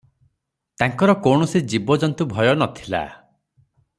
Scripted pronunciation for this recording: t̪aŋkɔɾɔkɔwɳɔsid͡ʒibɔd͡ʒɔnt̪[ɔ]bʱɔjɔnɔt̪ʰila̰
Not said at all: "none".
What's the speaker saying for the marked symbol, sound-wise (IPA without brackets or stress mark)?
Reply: u